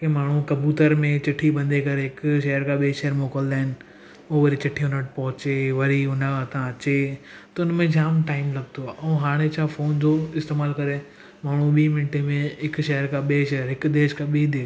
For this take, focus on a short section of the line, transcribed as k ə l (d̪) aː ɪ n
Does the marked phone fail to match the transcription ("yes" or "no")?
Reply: no